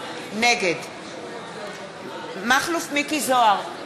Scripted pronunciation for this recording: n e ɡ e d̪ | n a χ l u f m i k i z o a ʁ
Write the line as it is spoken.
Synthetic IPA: n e ɡ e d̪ | m a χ l u f m i k i z o a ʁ